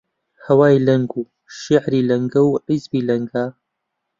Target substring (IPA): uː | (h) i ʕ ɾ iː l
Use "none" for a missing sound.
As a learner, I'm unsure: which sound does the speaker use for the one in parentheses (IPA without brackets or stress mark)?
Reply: ʃ